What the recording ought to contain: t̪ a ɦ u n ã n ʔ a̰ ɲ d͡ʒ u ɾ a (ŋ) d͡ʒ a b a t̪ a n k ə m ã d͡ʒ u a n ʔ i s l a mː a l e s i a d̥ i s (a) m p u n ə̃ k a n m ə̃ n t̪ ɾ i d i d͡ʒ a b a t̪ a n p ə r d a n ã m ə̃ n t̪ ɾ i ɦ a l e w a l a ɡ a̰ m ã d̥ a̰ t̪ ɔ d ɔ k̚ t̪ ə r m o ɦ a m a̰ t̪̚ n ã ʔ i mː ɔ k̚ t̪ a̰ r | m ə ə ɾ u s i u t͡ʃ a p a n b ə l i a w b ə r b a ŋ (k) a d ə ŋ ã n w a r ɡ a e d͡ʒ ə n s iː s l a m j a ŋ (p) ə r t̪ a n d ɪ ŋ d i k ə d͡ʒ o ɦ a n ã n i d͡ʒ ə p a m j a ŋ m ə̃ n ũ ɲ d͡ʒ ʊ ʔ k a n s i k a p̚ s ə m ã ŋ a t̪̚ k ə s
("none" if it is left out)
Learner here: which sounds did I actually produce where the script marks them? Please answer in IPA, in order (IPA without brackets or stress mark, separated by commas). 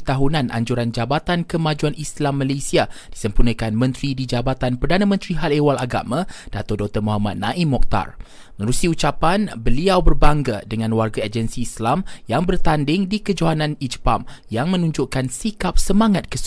n, ə, ɡ, b